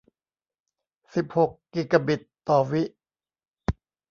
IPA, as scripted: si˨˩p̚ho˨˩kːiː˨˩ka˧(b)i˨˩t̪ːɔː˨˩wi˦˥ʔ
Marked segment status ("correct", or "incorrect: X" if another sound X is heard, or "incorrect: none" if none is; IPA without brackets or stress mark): correct